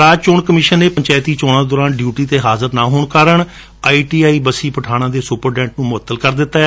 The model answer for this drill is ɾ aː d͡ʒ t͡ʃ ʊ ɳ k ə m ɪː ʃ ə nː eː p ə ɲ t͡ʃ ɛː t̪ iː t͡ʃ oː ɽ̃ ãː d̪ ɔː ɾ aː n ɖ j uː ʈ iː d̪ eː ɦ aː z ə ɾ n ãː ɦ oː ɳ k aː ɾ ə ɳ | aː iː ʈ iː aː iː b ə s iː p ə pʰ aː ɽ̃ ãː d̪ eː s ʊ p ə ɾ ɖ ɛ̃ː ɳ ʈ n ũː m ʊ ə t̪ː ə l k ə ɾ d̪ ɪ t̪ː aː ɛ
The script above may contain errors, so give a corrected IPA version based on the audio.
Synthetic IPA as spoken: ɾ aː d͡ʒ t͡ʃ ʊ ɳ k ə m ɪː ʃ ə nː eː p ə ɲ t͡ʃ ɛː t̪ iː t͡ʃ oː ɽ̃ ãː d̪ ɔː ɾ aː n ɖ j uː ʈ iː t̪ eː ɦ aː z ə ɾ n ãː ɦ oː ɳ k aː ɾ ə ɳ | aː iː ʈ iː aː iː b ə s iː p ə ʈʰ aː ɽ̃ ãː d̪ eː s ʊ p ə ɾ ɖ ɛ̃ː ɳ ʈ n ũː m ʊ ə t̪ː ə l k ə ɾ d̪ ɪ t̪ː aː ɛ